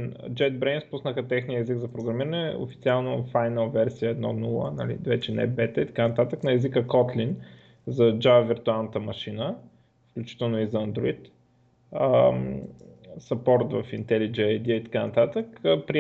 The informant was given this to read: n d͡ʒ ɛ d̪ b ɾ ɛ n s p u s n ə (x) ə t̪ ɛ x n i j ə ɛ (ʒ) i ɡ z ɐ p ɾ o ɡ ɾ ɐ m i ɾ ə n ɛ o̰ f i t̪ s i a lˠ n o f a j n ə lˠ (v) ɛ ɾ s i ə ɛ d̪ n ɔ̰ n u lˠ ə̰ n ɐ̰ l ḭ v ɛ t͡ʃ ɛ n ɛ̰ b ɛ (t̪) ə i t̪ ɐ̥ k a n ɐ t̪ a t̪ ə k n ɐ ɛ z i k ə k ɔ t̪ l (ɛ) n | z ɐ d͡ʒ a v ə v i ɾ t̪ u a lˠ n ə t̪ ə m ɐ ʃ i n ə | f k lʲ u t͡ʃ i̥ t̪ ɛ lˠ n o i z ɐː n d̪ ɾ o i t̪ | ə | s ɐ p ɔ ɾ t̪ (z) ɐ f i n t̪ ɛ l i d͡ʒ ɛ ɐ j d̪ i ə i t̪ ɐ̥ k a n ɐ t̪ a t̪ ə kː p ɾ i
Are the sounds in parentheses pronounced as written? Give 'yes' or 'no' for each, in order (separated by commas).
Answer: yes, no, yes, yes, no, no